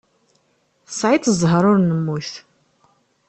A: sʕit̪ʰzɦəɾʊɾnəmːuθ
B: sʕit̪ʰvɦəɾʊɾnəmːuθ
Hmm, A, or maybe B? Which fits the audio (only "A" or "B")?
A